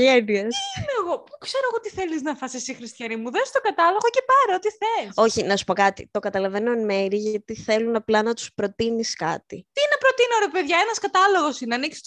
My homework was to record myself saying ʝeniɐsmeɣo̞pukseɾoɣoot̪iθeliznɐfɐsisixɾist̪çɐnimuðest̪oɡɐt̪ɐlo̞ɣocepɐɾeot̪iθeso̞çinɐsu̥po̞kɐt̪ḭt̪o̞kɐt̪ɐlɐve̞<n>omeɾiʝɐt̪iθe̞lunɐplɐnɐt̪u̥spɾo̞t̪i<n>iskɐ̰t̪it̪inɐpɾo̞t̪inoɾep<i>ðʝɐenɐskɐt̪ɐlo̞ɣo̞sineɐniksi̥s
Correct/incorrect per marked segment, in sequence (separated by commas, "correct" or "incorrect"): correct, correct, incorrect